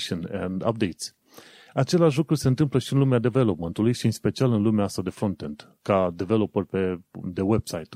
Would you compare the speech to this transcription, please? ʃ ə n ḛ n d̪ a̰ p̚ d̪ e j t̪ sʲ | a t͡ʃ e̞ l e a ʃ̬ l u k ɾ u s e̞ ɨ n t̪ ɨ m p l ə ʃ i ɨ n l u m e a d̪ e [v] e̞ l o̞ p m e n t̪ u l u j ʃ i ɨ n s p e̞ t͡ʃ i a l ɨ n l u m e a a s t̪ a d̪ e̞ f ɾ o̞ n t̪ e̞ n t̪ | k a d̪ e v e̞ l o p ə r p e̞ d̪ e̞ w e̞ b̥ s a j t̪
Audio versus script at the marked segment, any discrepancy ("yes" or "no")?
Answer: no